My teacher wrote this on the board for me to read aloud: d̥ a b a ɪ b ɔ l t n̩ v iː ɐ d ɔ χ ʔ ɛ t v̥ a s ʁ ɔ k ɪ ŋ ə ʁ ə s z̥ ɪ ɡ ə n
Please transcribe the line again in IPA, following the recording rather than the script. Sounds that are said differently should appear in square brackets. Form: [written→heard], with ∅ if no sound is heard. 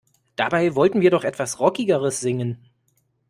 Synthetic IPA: d̥ a b a ɪ [b→v] ɔ l t n̩ v iː ɐ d ɔ χ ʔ ɛ t v̥ a s ʁ ɔ k ɪ [ŋ→ɡ] ə ʁ ə s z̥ ɪ [ɡ→ŋ] ə n